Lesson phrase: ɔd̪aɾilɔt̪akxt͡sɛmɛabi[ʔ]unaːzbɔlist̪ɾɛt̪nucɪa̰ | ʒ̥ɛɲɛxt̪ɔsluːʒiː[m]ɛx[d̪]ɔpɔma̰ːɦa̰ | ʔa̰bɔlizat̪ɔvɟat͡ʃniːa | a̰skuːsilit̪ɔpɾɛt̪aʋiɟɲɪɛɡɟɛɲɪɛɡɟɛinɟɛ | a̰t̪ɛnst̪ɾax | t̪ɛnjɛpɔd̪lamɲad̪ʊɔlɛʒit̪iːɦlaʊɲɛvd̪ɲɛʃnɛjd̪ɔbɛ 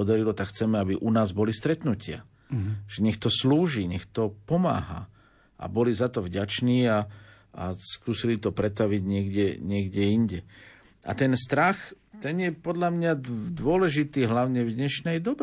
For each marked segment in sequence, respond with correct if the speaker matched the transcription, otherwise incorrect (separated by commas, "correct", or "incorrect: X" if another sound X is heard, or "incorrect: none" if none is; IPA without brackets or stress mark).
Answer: correct, incorrect: ɲ, incorrect: t̪